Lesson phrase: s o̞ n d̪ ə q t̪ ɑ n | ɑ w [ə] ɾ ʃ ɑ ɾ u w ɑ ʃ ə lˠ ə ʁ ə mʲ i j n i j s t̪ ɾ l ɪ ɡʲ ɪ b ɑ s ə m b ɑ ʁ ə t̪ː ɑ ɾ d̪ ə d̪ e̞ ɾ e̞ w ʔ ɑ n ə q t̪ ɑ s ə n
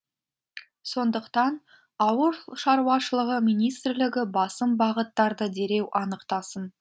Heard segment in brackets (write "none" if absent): ə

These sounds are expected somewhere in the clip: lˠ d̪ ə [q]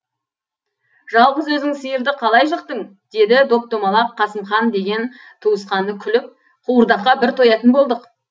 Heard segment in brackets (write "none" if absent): q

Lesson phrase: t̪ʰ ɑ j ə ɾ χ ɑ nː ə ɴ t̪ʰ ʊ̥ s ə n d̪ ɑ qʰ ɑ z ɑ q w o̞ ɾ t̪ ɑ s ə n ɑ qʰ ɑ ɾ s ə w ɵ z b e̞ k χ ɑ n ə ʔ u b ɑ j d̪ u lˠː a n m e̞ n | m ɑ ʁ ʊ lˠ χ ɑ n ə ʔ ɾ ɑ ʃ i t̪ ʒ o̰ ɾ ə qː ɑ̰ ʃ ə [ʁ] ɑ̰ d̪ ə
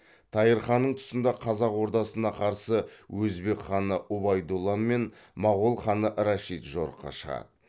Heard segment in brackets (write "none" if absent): ʁ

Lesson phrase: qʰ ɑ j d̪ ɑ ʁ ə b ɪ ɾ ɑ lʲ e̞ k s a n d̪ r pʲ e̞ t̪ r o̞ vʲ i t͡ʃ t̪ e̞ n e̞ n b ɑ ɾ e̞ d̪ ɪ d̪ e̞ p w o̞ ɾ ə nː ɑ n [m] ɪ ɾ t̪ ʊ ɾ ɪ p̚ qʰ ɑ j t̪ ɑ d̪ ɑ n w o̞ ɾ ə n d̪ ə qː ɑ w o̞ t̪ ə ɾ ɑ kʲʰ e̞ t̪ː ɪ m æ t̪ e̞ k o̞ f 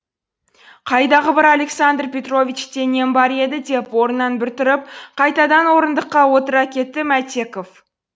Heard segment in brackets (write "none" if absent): b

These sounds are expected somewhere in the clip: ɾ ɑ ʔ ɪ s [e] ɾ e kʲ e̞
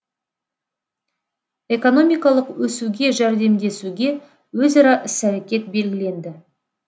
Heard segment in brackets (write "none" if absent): æ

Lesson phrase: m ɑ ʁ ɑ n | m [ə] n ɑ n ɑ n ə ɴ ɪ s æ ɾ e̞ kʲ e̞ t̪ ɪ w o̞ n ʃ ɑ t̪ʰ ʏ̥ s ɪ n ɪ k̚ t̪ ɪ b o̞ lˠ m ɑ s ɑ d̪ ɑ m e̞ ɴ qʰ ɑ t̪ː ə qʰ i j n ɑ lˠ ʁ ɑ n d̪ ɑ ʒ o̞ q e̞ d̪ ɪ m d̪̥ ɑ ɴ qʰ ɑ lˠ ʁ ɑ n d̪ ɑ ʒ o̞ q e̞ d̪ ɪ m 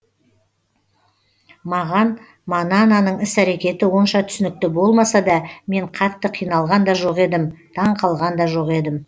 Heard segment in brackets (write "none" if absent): ɑ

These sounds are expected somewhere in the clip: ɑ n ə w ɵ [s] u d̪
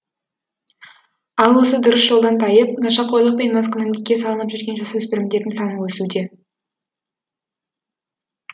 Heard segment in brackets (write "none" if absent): s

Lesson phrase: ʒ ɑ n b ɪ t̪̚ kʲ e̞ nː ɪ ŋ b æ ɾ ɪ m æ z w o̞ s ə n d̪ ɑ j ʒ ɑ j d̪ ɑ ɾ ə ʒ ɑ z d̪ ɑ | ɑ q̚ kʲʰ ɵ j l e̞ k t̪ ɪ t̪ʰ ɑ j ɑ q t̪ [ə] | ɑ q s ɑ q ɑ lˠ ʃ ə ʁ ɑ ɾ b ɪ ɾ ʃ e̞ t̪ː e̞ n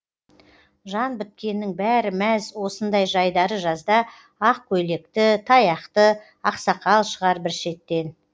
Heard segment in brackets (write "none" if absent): ə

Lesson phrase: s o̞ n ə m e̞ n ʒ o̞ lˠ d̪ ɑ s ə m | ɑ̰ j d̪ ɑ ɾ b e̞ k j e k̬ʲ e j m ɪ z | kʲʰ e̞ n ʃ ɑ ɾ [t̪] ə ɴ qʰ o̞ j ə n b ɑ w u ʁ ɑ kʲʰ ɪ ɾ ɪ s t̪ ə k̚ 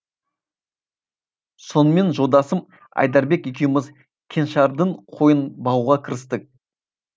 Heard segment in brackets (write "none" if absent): d̪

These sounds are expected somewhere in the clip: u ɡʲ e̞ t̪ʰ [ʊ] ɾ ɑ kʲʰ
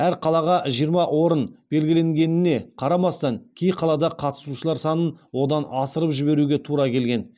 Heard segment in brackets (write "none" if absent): u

